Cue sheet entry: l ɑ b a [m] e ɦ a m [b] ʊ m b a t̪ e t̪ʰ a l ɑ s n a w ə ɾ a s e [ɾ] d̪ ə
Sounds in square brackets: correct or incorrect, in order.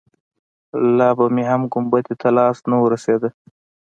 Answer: correct, incorrect, incorrect

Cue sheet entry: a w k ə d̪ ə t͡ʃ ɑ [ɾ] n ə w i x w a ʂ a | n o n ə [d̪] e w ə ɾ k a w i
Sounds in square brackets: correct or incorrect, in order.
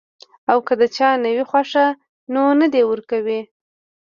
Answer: incorrect, correct

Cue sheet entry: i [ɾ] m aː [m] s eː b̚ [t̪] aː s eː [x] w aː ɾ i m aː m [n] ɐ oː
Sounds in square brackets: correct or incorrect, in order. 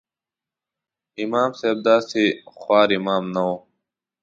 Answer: incorrect, correct, incorrect, correct, correct

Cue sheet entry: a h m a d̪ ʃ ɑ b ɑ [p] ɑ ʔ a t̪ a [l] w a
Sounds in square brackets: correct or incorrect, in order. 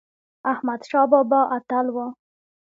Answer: incorrect, correct

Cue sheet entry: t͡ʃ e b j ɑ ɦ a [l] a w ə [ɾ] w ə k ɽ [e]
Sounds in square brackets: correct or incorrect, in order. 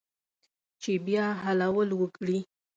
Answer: correct, incorrect, incorrect

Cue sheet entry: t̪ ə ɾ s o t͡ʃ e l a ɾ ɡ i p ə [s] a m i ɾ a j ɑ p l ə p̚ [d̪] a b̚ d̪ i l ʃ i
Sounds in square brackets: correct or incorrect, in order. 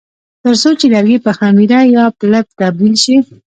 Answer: incorrect, incorrect

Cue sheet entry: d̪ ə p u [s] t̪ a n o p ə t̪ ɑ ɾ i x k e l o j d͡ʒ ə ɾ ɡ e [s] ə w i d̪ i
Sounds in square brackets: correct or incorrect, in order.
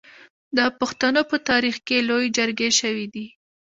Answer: incorrect, incorrect

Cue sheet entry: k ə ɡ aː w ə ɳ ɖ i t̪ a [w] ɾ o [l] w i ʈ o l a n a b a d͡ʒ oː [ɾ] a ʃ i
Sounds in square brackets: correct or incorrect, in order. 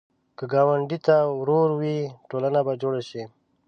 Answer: correct, incorrect, incorrect

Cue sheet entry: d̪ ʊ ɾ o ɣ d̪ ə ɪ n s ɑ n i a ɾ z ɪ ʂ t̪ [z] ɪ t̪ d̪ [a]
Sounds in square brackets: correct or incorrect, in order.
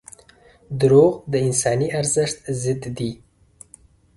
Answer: correct, incorrect

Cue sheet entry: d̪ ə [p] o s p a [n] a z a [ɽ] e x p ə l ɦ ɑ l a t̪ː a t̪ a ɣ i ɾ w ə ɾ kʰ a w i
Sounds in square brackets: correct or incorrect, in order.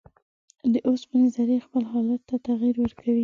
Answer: incorrect, correct, incorrect

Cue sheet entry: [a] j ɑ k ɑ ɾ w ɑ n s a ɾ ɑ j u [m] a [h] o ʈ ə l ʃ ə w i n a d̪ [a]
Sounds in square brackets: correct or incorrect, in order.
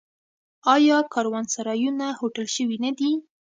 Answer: incorrect, incorrect, correct, incorrect

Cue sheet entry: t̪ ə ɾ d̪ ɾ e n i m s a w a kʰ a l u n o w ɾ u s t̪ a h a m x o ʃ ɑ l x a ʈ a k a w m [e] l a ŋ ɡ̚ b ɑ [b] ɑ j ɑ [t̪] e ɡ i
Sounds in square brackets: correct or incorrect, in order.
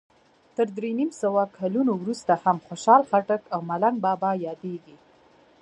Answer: incorrect, correct, incorrect

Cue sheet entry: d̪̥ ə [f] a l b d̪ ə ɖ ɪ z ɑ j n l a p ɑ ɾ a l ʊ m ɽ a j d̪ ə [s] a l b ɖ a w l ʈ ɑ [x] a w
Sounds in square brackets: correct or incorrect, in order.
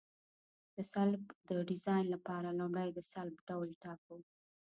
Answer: incorrect, correct, incorrect

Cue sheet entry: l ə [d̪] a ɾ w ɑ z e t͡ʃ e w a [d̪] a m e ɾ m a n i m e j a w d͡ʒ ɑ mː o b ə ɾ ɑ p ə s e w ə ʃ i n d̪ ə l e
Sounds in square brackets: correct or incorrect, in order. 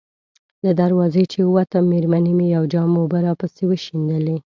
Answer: correct, incorrect

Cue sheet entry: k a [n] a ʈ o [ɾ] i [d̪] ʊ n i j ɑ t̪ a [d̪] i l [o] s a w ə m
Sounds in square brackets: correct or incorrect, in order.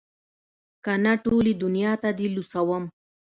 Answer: correct, incorrect, correct, correct, incorrect

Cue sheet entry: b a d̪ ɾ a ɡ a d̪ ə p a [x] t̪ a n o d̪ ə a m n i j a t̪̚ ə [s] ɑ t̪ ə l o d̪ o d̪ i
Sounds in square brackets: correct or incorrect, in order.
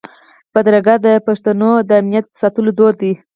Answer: incorrect, correct

